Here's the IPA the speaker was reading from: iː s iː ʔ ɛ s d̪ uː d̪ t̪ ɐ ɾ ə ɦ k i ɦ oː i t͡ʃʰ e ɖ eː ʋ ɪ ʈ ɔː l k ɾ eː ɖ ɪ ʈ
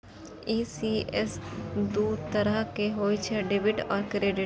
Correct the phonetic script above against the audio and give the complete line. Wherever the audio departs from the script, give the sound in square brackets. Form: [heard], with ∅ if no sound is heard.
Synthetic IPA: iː s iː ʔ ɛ s d̪ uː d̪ t̪ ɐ ɾ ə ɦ k [e] ɦ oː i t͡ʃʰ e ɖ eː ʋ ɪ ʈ ɔː [ɾ] k ɾ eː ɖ ɪ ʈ